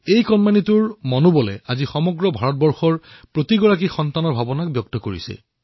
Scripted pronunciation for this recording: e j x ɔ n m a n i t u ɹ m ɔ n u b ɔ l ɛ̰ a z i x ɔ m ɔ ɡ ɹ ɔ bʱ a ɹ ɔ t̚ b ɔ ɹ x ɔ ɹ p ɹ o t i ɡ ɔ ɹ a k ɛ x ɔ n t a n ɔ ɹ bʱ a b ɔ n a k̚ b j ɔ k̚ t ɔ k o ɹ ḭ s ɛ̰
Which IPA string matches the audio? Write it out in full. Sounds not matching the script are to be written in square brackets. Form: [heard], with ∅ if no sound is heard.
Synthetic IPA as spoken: e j [k] ɔ n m a n i t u ɹ m ɔ n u b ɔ l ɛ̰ a z i x ɔ m ɔ ɡ ɹ ɔ bʱ a ɹ ɔ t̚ b ɔ ɹ x ɔ ɹ p ɹ o t i ɡ ɔ ɹ a k [i] x ɔ n t a n ɔ ɹ bʱ a b ɔ n a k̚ b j ɔ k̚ t ɔ k o ɹ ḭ s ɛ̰